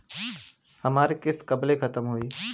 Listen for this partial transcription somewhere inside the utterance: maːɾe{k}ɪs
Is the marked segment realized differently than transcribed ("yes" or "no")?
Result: no